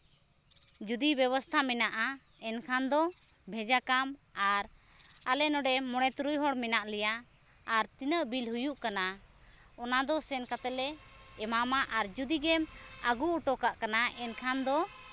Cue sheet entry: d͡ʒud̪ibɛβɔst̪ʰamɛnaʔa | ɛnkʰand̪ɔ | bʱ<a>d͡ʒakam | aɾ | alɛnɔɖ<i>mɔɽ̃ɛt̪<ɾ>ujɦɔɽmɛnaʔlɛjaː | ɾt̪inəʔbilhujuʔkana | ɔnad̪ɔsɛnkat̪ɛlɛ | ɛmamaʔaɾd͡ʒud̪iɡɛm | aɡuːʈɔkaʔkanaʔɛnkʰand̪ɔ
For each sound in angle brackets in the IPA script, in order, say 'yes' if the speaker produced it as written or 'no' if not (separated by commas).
no, no, yes